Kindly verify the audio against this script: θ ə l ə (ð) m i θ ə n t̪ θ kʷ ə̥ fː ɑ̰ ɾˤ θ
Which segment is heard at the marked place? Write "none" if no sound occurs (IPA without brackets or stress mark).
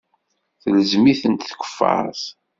z